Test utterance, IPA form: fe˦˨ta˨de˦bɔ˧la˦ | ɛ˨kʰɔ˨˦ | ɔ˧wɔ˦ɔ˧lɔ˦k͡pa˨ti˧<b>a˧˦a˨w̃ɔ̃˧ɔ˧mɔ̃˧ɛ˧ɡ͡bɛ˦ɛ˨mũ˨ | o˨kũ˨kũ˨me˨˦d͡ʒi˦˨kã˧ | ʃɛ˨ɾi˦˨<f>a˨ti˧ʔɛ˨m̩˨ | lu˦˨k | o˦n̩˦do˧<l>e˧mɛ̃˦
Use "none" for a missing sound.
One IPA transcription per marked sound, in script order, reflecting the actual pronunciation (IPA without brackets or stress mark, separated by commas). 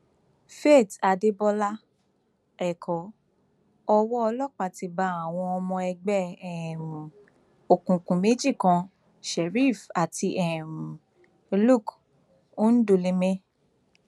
b, f, l